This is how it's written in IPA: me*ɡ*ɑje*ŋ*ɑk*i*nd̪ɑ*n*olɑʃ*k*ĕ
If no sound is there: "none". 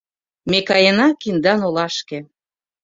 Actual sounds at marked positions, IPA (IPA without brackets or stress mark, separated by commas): k, n, i, n, k